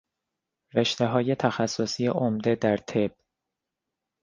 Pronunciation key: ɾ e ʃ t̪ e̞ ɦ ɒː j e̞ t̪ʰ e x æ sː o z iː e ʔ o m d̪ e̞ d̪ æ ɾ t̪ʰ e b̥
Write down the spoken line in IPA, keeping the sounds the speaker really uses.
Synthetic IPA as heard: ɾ e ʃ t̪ e̞ ɦ ɒː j e̞ t̪ʰ æ x æ sː o s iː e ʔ o m d̪ e̞ d̪ æ ɾ t̪ʰ e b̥